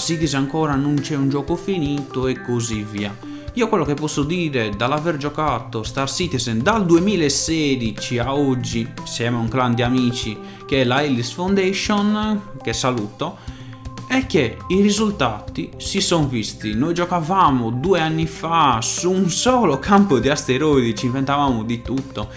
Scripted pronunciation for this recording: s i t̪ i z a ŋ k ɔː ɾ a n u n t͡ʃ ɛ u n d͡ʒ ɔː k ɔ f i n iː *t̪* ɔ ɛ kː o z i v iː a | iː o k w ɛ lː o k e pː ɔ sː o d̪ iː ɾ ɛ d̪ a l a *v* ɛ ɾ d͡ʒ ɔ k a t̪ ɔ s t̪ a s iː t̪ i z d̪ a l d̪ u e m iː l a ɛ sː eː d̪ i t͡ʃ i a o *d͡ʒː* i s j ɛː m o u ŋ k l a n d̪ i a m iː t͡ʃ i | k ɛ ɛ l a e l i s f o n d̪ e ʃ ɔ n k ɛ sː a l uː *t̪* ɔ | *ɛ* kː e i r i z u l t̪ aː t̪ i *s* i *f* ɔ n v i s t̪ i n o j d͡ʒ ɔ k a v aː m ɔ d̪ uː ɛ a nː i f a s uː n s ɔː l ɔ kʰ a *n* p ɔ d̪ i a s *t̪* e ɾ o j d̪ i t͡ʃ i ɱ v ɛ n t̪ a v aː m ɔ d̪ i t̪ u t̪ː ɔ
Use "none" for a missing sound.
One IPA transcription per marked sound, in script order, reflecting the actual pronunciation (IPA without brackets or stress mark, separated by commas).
t̪, v, d͡ʒː, t̪, ɛ, s, s, m, t̪